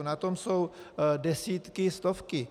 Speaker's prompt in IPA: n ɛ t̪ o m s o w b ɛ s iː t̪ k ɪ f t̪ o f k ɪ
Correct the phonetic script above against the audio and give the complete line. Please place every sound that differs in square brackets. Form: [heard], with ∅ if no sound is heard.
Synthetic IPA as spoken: n [a] t̪ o m s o w [d] ɛ s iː t̪ k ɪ [s] t̪ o f k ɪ